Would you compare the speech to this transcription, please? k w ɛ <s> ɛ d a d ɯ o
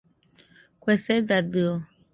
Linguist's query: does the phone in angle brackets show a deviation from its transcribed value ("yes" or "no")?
no